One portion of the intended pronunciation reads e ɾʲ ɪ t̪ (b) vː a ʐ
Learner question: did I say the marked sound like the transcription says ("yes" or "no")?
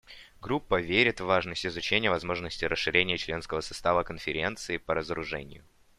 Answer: no